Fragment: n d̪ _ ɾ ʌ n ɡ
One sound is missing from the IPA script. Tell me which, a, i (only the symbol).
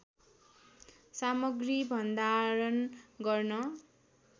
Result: a